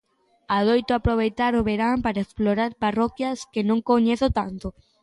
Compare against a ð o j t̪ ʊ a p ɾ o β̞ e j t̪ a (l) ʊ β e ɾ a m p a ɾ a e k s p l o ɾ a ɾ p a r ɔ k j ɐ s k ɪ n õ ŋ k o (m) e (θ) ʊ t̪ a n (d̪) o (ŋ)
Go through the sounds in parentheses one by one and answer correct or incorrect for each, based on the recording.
incorrect, incorrect, correct, incorrect, incorrect

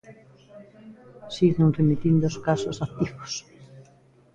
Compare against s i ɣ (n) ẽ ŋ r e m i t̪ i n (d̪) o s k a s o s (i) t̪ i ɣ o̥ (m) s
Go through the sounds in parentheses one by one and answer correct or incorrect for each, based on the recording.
correct, correct, incorrect, incorrect

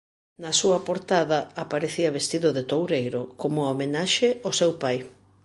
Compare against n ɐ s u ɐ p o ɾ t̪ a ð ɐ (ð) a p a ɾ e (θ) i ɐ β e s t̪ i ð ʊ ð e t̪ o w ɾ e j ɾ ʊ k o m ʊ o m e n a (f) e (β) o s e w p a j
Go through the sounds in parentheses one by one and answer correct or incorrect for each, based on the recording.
incorrect, correct, incorrect, incorrect

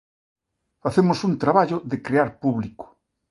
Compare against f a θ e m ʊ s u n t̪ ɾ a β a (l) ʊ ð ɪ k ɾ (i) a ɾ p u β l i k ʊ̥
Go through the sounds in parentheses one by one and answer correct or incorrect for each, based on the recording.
incorrect, incorrect

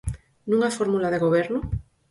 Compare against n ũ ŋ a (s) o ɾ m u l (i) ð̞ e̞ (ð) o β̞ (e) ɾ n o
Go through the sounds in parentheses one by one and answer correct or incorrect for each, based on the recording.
incorrect, incorrect, incorrect, correct

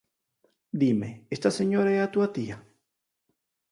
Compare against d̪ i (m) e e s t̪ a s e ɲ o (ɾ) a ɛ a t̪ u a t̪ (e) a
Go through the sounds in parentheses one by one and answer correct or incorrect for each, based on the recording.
correct, correct, incorrect

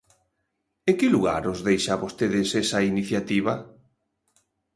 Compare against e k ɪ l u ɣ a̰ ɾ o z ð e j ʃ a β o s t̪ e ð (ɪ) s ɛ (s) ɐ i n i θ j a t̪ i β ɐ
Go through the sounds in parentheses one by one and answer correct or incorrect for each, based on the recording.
correct, correct

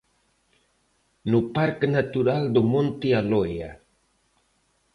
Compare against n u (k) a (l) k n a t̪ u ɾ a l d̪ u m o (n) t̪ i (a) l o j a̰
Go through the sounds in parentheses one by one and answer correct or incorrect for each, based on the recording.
incorrect, incorrect, correct, correct

